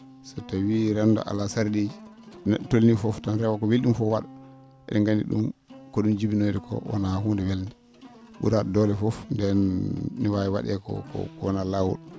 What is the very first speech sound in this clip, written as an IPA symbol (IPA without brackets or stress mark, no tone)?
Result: s